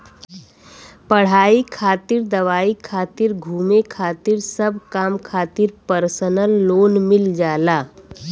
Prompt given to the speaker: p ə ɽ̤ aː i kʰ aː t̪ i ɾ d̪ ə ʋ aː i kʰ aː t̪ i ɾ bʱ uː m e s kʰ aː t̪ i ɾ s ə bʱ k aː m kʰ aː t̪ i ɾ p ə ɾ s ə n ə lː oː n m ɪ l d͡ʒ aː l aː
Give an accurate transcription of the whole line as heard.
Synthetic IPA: p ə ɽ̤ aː i kʰ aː t̪ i ɾ d̪ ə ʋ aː i kʰ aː t̪ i ɾ ɡʱ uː m e kʰ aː t̪ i ɾ s ə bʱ k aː m kʰ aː t̪ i ɾ p ə ɾ s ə n ə lː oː n m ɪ l d͡ʒ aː l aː